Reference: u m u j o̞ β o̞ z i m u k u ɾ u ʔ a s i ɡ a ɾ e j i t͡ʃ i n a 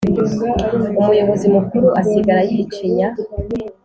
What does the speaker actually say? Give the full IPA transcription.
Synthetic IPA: u m u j o̞ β o̞ z i m u k u ɾ u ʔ a s i ɡ a ɾ a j i t͡ʃ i ɲ a